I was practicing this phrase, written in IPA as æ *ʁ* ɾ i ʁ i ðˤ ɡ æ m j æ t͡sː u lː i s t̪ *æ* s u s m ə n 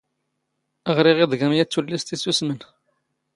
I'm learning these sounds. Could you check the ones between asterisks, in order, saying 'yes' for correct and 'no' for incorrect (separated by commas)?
yes, no